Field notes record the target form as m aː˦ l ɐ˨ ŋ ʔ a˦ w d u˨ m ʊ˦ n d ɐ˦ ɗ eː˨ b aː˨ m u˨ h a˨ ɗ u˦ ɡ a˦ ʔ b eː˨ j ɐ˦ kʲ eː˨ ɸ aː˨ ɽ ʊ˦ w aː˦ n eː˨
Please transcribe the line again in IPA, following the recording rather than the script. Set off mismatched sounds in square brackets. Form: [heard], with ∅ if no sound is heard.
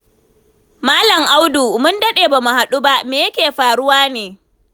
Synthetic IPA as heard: m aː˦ l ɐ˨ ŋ ʔ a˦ w d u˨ m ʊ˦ n d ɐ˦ ɗ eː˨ b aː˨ m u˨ h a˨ ɗ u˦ [b] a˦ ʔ [m] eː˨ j ɐ˦ kʲ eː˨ ɸ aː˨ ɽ ʊ˦ w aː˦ n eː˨